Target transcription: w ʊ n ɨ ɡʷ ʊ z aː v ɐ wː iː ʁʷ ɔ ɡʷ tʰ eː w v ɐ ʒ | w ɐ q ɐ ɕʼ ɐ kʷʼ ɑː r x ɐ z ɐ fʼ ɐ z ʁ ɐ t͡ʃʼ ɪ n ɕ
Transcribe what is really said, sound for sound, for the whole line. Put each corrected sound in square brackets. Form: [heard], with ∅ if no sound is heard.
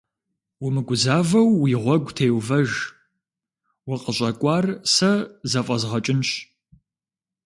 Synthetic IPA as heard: w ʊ [m] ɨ ɡʷ ʊ z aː v ɐ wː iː ʁʷ ɔ ɡʷ tʰ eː w v ɐ ʒ | w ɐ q [ə] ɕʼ ɐ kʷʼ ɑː r [s] ɐ z ɐ fʼ ɐ z ʁ ɐ t͡ʃʼ ɪ n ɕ